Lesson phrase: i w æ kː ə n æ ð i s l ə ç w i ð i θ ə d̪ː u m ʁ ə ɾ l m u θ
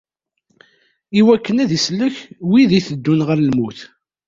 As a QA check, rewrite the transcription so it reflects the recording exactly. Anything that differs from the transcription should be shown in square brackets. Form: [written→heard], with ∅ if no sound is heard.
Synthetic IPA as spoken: i w æ kː ə n æ ð i s l ə ç w i ð i θ ə d̪ː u [m→n] ʁ ə ɾ l m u θ